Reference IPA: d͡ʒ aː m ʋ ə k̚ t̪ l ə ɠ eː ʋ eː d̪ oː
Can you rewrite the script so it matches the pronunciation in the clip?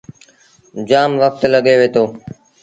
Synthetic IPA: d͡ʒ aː m ʋ ə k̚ t̪ l ə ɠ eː ʋ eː t̪ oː